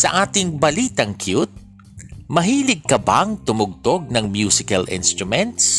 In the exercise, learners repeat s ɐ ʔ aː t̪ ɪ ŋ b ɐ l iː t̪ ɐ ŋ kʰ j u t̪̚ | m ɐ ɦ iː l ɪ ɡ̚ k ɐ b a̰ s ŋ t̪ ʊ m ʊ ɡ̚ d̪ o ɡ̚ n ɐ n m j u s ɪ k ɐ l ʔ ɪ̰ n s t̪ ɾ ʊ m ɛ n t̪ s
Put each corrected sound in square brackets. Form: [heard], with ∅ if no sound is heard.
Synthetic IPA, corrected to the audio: s ɐ ʔ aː t̪ ɪ ŋ b ɐ l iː t̪ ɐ ŋ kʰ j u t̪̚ | m ɐ ɦ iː l ɪ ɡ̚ k ɐ b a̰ [∅] ŋ t̪ ʊ m ʊ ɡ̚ [t̪] o ɡ̚ n ɐ [ŋ] m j u s ɪ k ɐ l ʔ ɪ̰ n s t̪ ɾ ʊ m ɛ n t̪ s